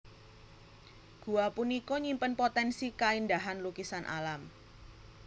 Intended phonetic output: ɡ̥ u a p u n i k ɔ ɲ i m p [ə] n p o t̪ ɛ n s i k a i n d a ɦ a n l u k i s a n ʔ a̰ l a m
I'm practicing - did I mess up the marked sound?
no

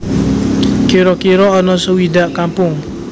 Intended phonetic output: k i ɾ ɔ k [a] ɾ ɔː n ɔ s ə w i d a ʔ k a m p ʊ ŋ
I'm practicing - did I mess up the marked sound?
yes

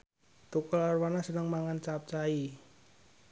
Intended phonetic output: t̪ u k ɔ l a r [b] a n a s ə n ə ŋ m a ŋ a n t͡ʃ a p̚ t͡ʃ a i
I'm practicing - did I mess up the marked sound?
yes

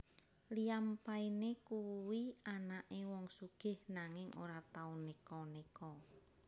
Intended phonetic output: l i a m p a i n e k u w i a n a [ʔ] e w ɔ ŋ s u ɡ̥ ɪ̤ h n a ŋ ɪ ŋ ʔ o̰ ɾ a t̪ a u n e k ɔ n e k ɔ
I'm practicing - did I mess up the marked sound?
no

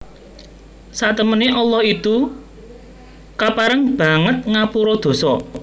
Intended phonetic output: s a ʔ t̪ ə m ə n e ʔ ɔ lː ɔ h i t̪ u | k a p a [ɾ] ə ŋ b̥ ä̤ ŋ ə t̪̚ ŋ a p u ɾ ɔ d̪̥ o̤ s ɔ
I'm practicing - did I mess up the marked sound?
no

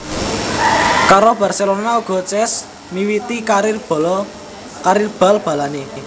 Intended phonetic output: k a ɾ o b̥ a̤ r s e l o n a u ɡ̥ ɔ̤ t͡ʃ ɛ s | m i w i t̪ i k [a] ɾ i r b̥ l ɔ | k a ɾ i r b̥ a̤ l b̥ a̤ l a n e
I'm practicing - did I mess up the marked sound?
no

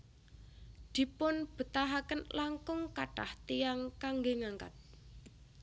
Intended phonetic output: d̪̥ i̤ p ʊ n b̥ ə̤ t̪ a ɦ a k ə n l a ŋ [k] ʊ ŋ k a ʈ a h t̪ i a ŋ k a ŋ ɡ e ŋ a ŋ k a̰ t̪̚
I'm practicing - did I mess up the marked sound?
no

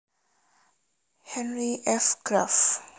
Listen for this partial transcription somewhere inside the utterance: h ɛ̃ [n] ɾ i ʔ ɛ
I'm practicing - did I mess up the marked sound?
no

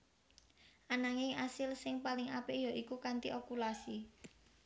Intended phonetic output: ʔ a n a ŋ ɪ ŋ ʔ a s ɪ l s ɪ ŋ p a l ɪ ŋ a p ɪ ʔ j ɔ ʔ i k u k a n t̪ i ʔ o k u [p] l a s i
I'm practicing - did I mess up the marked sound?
yes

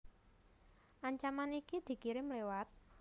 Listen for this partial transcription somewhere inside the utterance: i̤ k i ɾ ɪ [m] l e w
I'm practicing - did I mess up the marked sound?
no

